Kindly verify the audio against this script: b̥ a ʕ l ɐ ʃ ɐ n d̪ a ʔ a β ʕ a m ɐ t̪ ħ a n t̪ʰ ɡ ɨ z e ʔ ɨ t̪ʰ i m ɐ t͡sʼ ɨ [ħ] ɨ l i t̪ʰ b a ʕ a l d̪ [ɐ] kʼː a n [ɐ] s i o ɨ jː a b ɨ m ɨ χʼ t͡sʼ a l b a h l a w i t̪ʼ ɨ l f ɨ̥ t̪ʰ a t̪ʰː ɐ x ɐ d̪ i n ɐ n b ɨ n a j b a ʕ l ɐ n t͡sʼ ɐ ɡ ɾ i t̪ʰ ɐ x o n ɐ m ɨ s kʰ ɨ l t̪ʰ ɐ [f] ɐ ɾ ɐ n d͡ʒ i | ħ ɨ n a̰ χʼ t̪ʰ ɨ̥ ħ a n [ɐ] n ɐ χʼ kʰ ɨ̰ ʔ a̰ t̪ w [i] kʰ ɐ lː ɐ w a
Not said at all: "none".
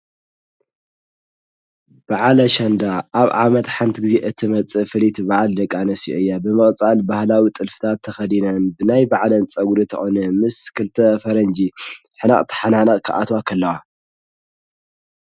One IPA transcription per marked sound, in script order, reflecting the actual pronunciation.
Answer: f, ɐ, ɐ, f, a, a

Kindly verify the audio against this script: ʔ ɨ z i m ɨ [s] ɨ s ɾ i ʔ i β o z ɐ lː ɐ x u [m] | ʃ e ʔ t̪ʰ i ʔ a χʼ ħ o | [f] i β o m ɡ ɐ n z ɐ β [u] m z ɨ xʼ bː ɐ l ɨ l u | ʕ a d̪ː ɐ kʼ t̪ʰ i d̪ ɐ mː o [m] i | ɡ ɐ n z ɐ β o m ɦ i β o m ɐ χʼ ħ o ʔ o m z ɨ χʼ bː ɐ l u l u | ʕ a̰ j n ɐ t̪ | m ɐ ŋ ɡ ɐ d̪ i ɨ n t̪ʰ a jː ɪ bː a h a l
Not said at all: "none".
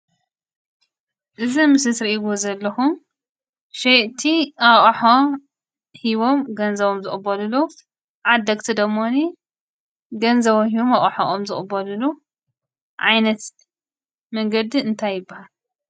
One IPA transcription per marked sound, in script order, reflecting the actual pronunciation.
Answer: s, m, h, o, n

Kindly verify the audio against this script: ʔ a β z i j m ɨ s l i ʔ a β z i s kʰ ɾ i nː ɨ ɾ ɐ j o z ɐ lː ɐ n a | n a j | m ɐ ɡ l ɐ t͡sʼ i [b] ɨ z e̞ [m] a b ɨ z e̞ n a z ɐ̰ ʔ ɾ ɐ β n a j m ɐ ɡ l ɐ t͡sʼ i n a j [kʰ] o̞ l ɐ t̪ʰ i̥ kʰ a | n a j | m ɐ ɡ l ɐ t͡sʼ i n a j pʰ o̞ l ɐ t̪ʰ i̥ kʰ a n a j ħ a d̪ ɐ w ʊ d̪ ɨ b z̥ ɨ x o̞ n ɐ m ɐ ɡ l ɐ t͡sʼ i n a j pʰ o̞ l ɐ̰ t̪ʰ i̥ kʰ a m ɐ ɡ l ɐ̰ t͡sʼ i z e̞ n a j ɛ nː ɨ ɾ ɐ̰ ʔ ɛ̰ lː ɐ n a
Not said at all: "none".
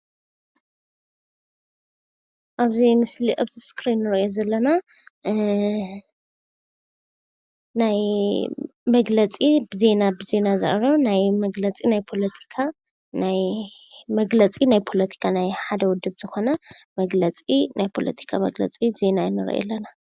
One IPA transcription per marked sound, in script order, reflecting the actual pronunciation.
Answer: b, n, pʰ

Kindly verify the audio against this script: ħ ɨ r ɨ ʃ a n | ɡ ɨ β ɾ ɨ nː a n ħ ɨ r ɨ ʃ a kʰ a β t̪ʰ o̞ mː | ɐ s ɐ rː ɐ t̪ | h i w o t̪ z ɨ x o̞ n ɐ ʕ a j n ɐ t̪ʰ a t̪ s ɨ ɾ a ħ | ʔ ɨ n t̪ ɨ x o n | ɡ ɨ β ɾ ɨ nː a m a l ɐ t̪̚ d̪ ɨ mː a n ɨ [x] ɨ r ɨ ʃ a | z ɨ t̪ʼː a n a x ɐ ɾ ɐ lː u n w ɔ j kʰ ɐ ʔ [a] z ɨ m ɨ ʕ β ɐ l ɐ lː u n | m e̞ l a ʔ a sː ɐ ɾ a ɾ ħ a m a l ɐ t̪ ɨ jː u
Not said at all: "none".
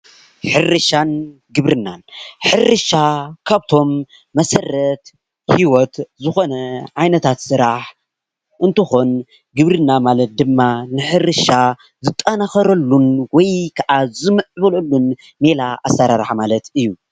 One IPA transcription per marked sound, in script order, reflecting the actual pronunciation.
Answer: ħ, a

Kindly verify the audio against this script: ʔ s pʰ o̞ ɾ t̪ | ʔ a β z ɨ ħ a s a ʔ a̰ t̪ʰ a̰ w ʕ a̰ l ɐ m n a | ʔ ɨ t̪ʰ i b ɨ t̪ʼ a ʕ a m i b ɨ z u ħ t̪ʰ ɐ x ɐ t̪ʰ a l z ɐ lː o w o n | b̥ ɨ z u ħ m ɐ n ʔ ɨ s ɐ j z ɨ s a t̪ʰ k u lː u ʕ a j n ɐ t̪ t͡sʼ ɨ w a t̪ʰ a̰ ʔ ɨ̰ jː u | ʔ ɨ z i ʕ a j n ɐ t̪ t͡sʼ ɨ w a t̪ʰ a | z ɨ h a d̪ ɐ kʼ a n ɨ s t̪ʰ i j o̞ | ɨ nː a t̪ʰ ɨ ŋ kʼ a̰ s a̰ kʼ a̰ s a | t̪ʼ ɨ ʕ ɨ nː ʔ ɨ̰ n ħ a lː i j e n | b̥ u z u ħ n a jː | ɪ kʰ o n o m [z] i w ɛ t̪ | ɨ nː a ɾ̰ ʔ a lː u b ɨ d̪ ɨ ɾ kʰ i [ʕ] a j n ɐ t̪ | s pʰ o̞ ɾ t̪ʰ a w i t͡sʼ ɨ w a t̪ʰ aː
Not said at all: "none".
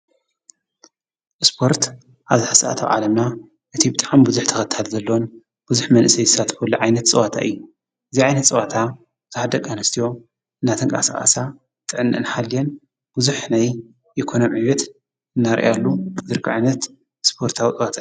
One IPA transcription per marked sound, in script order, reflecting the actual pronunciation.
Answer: ʕ, ʕ

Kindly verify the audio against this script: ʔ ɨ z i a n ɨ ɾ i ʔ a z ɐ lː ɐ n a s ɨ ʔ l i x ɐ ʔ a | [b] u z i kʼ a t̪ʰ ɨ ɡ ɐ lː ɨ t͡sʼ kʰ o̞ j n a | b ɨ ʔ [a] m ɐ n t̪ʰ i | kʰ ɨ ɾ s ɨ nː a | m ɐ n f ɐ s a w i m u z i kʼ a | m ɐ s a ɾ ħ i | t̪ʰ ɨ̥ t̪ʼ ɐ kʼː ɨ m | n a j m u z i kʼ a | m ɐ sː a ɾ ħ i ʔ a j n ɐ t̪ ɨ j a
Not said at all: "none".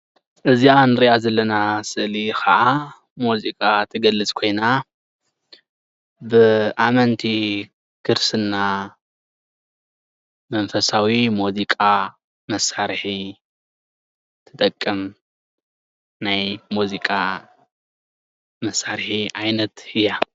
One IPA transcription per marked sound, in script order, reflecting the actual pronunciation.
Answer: m, a

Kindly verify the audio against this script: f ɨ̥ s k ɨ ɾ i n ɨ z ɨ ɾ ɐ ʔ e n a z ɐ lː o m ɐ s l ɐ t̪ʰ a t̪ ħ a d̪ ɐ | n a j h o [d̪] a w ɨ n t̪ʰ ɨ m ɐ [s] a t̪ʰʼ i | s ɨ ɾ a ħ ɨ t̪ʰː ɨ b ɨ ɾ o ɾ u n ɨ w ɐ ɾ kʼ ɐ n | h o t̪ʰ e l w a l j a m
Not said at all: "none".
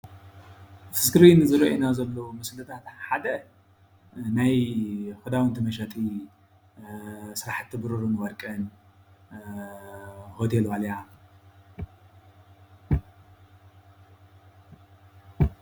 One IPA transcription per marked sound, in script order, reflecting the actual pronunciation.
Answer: d̪, ʃ

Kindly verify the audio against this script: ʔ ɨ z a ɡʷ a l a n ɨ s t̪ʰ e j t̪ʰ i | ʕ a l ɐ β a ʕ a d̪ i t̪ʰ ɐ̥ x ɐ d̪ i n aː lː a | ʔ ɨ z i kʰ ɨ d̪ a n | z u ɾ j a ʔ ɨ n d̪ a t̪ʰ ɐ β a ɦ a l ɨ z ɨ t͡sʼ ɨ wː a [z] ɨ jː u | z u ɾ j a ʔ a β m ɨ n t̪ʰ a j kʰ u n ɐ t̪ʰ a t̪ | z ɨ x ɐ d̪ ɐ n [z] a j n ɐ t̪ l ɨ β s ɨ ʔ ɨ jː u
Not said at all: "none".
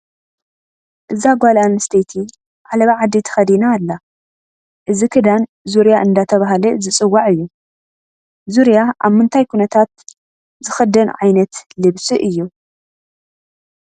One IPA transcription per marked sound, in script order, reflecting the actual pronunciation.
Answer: ʕ, ʕ

